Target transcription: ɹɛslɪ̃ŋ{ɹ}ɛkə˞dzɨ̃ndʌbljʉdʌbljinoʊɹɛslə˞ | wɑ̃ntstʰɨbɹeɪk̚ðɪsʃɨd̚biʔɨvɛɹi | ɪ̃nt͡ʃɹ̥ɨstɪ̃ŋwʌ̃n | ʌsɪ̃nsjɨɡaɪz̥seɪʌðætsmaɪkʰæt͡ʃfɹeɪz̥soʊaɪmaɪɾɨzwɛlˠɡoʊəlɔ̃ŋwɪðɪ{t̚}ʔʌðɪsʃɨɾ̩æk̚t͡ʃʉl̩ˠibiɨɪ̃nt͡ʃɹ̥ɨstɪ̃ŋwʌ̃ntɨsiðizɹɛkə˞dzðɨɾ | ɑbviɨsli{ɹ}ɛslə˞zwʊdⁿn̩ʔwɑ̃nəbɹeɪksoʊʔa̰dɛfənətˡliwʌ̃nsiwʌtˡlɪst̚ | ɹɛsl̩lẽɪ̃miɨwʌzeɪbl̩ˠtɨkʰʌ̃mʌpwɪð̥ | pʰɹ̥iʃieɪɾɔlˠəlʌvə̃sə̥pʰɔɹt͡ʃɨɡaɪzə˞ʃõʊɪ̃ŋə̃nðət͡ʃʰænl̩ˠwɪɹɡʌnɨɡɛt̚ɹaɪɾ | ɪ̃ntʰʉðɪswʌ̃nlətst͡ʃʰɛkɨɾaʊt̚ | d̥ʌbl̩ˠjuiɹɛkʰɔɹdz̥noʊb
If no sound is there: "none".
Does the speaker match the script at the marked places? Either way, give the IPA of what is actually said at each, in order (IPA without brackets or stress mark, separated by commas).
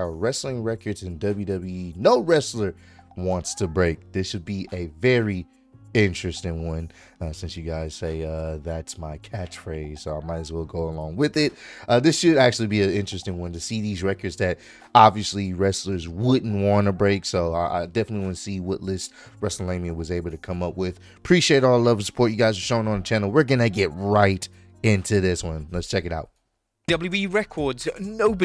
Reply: ɹ, t̚, ɹ